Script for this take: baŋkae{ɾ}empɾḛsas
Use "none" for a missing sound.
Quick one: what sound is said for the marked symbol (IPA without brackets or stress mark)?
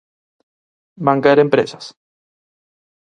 ɾ